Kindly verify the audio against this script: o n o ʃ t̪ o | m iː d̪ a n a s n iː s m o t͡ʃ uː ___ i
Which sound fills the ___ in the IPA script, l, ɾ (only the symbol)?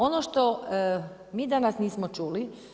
l